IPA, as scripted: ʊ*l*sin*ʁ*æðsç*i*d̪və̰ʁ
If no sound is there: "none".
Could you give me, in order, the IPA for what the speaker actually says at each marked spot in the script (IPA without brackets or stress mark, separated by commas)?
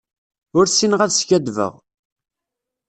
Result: ɾ, ʁ, æ